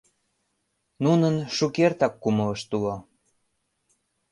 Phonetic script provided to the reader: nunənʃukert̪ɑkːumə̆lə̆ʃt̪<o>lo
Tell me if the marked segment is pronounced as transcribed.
no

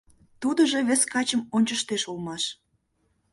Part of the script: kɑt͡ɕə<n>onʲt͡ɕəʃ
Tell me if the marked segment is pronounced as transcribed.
no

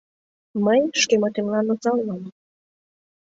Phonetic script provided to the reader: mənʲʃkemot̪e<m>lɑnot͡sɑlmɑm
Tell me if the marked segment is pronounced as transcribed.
yes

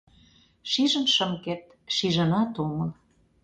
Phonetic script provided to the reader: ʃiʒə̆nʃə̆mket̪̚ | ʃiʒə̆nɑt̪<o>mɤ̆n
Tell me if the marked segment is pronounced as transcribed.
yes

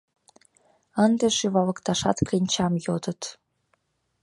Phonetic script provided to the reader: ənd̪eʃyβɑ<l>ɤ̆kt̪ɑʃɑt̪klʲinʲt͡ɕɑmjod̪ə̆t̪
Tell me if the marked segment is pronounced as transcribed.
yes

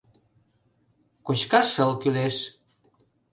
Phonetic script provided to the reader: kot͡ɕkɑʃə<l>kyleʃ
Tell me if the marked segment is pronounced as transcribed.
yes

